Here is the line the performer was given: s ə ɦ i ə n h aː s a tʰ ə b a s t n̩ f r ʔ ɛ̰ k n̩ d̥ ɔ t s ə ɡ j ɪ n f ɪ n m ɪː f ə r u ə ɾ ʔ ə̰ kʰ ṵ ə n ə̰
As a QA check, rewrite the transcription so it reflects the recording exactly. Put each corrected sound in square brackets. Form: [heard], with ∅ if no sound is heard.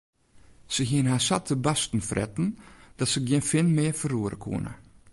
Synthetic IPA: s ə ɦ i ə n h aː s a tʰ ə b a s t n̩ f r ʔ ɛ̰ [t] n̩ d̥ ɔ t s ə ɡ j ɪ n f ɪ n m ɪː f ə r u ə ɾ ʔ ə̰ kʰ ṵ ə n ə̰